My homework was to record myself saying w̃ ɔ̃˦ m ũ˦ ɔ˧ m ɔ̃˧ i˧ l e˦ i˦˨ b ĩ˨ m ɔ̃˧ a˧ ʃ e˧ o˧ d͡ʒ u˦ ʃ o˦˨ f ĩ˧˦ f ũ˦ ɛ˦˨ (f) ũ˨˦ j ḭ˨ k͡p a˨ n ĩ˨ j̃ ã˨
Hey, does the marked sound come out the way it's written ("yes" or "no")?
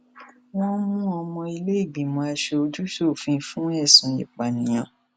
no